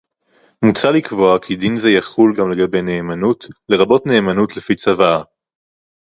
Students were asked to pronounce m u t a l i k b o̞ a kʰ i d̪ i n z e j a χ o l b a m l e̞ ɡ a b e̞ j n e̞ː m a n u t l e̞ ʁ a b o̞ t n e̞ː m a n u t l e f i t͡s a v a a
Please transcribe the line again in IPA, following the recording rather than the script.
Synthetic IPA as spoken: m u t͡s a l i k v o̞ a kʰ i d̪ i n z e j a χ u l ɡ a m l e̞ ɡ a b e̞ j n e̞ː m a n u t l e̞ ʁ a b o̞ t n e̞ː m a n u t l e f i t͡s a v a a

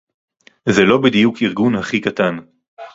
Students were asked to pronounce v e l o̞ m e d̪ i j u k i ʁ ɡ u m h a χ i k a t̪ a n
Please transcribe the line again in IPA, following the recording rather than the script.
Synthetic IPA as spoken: z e l o̞ b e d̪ i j u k i ʁ ɡ u n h a χ i k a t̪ a n

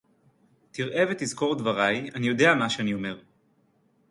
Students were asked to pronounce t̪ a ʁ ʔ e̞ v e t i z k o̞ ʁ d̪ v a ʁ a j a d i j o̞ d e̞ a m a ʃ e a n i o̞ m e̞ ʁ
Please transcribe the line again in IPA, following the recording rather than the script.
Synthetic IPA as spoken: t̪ i ʁ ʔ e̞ v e t i z k o̞ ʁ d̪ v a ʁ a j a n i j o̞ d e̞ a m a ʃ e a n i o̞ m e̞ ʁ

